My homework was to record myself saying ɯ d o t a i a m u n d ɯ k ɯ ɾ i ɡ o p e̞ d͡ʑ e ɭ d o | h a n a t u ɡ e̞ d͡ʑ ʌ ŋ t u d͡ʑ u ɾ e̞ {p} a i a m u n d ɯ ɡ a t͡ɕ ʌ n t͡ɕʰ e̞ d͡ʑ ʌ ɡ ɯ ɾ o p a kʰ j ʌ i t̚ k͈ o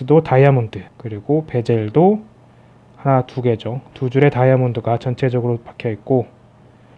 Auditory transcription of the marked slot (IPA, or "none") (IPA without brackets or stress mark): t